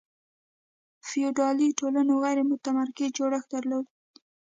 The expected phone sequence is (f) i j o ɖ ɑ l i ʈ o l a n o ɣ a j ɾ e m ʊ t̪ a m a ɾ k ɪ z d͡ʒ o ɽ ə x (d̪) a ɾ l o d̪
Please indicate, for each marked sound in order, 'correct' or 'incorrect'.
correct, correct

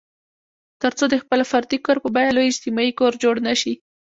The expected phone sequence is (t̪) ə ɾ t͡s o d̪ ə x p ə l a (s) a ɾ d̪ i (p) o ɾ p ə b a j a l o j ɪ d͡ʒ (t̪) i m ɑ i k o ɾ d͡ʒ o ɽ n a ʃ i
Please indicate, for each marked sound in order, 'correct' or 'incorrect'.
correct, incorrect: f, incorrect: k, correct

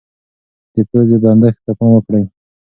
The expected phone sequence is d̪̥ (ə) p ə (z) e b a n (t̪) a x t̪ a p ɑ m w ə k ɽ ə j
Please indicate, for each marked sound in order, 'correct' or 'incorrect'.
correct, correct, incorrect: d̪

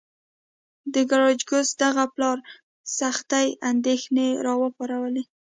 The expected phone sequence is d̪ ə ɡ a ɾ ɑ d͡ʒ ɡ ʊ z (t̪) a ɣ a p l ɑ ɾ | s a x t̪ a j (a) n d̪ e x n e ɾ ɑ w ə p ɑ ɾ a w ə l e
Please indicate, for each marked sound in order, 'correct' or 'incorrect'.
incorrect: d̪, correct

